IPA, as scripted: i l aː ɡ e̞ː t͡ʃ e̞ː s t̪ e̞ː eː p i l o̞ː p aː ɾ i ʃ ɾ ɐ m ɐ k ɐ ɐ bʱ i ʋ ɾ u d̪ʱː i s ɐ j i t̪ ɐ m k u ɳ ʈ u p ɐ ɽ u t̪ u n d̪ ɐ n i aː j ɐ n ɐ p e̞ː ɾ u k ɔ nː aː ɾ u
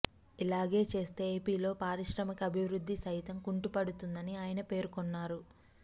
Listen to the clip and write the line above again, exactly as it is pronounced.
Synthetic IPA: i l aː ɡ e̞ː t͡ʃ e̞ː s t̪ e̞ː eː p iː l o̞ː p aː ɾ i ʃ ɾ ɐ m ɐ k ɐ ɐ bʱ i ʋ ɾ u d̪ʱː i s ɐ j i t̪ ɐ m k u ɳ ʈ u p ɐ ɽ u t̪ u n d̪ ɐ n i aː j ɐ n ɐ p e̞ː ɾ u k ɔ nː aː ɾ u